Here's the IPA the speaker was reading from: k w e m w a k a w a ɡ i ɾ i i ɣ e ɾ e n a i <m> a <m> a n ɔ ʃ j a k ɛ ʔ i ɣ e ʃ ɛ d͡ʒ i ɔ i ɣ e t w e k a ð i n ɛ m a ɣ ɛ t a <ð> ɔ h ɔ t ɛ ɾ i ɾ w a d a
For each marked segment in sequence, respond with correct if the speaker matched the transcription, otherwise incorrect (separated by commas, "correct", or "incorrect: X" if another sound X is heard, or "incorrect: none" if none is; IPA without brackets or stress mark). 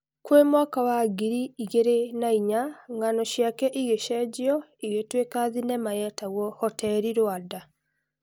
incorrect: ɲ, incorrect: ŋ, incorrect: ɣ